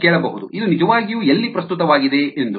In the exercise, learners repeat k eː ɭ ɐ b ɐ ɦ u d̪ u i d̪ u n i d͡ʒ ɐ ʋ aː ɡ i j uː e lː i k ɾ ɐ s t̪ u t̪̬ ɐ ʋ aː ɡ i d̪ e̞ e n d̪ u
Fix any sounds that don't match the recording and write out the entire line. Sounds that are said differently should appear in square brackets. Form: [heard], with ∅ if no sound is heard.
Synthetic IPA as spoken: k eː ɭ ɐ b ɐ ɦ u d̪ u i d̪ u n i d͡ʒ ɐ ʋ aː ɡ i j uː e lː i [p] ɾ ɐ s t̪ u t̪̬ ɐ ʋ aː ɡ i d̪ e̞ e n d̪ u